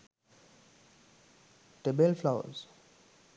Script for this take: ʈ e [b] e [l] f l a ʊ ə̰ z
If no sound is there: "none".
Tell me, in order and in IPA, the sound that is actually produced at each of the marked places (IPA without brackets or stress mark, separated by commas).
b, l